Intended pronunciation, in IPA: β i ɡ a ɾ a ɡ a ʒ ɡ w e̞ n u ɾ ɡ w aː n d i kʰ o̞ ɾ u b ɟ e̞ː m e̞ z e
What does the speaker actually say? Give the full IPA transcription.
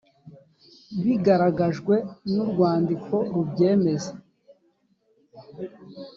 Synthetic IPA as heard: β i ɡ a ɾ a ɡ a ʒ ɡ w e̞ n u ɾ ɡ w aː n d i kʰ o̞ ɾ u b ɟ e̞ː m e̞ z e